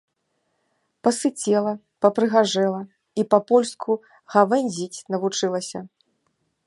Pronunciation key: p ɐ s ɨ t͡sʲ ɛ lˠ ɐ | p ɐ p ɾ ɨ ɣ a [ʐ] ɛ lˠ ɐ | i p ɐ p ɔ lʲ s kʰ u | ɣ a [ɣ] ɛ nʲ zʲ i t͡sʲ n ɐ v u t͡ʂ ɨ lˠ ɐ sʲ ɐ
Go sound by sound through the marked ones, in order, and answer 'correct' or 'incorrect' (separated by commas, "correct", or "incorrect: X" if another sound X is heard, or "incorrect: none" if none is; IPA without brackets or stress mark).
correct, incorrect: v